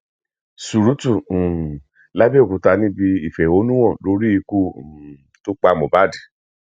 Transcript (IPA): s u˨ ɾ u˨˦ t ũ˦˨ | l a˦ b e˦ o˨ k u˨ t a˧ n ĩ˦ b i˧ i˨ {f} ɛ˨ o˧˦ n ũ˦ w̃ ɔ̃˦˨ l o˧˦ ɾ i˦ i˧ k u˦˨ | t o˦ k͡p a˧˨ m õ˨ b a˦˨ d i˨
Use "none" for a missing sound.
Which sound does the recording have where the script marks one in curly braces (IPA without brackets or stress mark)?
f